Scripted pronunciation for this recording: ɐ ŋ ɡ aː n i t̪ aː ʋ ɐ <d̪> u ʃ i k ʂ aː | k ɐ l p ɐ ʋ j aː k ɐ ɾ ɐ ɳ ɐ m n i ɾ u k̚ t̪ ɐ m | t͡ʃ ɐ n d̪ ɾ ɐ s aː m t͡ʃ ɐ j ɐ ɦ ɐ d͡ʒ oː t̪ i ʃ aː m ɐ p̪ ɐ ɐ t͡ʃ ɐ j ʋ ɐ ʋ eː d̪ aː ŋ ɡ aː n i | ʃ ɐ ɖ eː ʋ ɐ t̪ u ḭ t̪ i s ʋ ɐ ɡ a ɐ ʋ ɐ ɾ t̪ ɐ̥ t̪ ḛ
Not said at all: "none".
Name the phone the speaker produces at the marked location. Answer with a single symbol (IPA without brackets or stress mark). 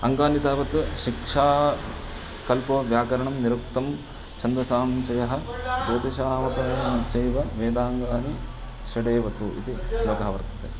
t̪